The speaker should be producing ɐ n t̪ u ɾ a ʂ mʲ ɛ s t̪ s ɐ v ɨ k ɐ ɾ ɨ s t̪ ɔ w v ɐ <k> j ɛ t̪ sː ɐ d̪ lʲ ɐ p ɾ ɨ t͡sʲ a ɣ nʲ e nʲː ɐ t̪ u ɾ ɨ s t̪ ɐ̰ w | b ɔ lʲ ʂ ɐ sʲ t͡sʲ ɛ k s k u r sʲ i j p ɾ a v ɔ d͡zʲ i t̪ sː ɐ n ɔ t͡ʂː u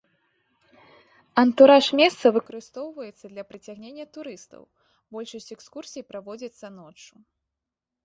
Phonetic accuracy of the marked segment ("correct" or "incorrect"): incorrect